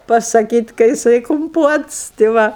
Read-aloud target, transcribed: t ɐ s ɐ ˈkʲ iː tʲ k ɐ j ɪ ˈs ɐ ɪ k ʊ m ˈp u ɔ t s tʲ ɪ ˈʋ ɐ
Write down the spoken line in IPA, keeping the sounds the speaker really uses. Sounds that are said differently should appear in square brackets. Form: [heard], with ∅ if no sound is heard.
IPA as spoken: [p] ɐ s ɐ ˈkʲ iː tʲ k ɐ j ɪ ˈs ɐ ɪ k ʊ m ˈp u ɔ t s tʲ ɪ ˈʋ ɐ